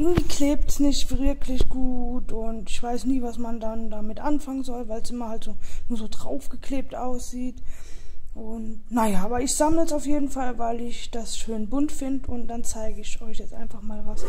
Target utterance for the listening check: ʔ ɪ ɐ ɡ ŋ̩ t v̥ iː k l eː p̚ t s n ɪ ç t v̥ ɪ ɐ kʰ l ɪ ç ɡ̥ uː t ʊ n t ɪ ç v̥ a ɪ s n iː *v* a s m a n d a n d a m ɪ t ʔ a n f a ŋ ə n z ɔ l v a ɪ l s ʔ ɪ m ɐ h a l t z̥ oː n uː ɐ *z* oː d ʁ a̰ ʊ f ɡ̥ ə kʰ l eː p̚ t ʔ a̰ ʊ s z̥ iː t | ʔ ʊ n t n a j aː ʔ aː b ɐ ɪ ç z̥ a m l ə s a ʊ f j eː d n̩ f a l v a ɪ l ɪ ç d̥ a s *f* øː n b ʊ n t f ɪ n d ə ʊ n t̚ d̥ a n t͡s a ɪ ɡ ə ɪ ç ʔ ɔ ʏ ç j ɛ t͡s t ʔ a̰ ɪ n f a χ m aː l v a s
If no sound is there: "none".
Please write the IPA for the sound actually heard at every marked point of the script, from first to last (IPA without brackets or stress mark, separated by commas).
v, z, ʃ